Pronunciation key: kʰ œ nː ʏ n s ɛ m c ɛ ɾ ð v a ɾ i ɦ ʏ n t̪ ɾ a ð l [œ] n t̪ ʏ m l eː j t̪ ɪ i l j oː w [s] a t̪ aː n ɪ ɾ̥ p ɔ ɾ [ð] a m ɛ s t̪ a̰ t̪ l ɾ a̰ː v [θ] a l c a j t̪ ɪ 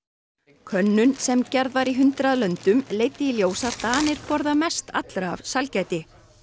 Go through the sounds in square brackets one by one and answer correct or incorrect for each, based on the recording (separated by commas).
correct, correct, correct, incorrect